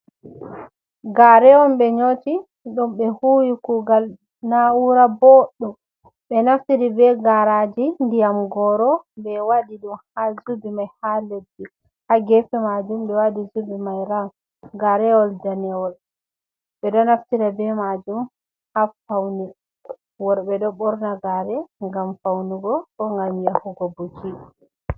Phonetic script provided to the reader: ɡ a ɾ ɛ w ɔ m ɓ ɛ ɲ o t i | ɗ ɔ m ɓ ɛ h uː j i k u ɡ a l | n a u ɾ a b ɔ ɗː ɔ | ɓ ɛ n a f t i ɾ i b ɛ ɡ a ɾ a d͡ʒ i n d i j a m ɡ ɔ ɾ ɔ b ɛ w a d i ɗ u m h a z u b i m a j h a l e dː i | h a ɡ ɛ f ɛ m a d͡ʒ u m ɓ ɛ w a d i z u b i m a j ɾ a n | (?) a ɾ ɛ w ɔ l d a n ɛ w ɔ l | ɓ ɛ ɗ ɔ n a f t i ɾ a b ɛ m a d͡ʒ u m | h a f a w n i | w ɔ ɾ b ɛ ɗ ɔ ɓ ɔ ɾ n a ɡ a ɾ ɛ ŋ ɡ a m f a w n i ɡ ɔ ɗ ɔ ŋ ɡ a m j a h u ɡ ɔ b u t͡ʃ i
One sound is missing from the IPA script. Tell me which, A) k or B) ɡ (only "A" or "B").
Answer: B